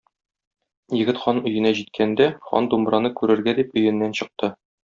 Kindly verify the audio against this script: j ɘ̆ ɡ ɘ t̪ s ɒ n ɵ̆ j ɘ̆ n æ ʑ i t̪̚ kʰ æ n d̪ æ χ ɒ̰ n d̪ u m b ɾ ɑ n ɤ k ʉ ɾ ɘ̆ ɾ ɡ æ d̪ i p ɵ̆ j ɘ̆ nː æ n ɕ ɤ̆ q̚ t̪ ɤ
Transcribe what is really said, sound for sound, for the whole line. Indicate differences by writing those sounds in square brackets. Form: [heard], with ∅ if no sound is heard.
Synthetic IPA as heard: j ɘ̆ ɡ ɘ t̪ [χ] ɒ n ɵ̆ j ɘ̆ n æ ʑ i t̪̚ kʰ æ n d̪ æ χ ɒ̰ n d̪ u m b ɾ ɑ n ɤ k ʉ ɾ ɘ̆ ɾ ɡ æ d̪ i p ɵ̆ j ɘ̆ nː æ n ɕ ɤ̆ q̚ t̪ ɤ